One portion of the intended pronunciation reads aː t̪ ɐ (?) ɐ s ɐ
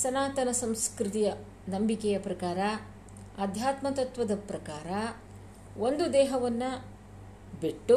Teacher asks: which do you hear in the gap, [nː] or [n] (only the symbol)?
n